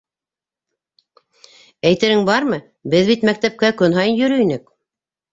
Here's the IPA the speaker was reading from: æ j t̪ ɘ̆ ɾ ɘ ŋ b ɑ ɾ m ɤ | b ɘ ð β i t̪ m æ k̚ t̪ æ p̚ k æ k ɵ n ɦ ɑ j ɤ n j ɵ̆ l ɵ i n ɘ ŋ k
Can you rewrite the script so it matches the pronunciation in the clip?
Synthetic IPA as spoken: æ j t̪ ɘ̆ ɾ ɘ ŋ b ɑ ɾ m ɤ | b ɘ ð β i t̪ m æ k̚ t̪ æ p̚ k æ k ɵ n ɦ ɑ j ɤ n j ɵ̆ ɾ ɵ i n ɘ k